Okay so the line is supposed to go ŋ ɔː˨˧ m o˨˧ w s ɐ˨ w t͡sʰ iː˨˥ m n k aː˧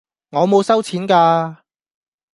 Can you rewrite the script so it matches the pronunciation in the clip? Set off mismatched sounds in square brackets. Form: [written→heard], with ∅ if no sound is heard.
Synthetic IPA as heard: ŋ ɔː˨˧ m o˨˧ w s [ɐ˨→ɐ˥] w t͡sʰ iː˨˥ [m→∅] n k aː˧